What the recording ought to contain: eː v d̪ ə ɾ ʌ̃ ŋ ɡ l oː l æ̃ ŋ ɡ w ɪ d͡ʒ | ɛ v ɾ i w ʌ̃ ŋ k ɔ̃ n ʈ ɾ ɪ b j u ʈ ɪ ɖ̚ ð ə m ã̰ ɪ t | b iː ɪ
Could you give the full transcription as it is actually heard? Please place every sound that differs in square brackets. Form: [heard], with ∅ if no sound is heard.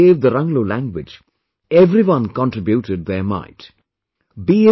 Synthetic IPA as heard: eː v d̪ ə ɾ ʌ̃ ŋ ɡ l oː l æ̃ ŋ ɡ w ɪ d͡ʒ | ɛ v ɾ i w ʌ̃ [n] k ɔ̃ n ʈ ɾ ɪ b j u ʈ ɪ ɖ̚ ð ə m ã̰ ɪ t | b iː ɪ